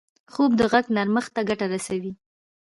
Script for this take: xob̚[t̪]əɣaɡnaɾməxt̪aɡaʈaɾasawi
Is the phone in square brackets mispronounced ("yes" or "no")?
yes